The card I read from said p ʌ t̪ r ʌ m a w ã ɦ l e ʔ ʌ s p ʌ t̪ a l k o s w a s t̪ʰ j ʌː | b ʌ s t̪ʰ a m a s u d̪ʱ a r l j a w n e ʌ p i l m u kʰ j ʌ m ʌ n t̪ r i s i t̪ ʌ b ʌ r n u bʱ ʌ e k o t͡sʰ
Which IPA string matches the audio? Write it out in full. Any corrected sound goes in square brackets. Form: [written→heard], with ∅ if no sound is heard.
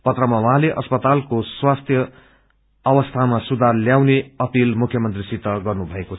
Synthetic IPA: p ʌ t̪ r ʌ m a w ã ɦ l e ʔ ʌ s p ʌ t̪ a l k o s w a s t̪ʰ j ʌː | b ʌ s t̪ʰ a m a s u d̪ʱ a r l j a w n e ʌ p i l m u kʰ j ʌ m ʌ n t̪ r i s i t̪ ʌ [b→ɡ] ʌ r n u bʱ ʌ e k o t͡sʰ